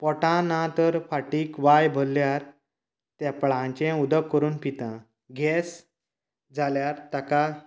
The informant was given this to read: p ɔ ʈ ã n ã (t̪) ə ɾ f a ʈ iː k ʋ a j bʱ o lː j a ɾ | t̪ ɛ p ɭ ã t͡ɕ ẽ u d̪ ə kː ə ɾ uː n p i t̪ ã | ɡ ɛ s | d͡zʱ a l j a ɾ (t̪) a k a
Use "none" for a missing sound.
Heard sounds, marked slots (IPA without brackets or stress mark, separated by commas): t̪, t̪